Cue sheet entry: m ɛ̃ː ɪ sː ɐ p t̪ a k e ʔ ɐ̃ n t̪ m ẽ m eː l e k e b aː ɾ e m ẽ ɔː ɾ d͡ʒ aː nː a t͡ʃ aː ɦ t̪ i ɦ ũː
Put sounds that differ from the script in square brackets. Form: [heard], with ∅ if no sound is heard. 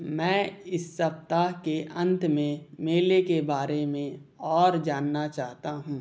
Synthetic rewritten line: m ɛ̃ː ɪ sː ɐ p t̪ a k e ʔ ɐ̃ n t̪ m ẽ m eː l e k e b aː ɾ e m ẽ ɔː ɾ d͡ʒ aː nː a t͡ʃ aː ɦ t̪ [a] ɦ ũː